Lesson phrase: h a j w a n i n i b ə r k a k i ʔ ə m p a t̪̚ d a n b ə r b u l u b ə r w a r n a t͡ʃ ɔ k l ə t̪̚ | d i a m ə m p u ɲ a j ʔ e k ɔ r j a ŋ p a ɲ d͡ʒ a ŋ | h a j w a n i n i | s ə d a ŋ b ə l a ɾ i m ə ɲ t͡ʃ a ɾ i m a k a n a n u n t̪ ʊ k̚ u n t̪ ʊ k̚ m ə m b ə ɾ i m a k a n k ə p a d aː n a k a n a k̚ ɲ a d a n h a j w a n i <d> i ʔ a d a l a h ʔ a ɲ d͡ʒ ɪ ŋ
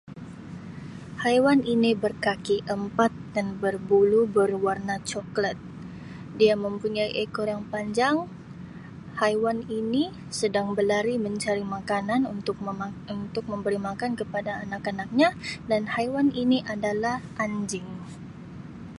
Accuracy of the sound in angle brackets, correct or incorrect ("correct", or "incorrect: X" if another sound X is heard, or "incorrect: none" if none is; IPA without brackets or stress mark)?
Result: incorrect: n